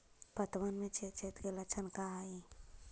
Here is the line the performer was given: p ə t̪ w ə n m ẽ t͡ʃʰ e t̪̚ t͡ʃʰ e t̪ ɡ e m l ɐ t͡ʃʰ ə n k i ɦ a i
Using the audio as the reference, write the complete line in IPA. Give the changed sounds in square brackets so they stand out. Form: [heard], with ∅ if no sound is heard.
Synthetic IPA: p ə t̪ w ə n m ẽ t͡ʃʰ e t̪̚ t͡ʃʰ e t̪ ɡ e [∅] l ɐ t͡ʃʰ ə n k [a] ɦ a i